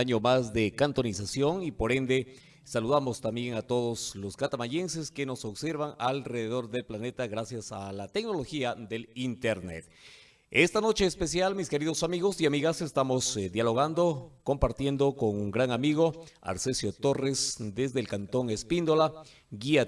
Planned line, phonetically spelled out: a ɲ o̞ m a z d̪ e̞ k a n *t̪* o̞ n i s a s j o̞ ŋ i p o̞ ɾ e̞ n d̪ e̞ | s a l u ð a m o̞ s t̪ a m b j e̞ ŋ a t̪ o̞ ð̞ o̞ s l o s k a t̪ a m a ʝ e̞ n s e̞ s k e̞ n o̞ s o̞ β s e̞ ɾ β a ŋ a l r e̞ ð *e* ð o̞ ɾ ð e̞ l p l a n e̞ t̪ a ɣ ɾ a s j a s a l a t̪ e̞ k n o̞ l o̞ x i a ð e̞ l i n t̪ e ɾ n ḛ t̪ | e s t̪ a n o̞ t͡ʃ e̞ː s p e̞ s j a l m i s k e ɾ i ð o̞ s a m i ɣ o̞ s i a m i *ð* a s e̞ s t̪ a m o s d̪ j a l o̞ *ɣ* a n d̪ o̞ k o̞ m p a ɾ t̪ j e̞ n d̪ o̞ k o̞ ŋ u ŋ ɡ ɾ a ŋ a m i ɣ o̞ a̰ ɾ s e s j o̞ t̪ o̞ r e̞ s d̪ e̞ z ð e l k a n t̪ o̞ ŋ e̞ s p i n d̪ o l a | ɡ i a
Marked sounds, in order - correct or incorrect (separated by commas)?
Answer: correct, correct, incorrect, correct